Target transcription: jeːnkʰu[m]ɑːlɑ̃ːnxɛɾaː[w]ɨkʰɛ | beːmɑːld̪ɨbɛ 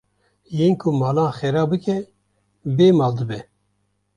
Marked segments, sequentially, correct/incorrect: correct, incorrect: b

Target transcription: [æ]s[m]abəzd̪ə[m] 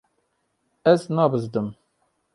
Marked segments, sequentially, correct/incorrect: correct, incorrect: n, correct

